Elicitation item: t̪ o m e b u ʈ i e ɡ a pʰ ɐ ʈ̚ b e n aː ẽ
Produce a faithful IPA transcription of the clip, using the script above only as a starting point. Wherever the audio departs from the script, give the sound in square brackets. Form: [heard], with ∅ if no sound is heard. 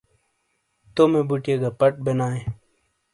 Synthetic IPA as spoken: t̪ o m e b u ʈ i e ɡ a [p] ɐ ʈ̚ b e n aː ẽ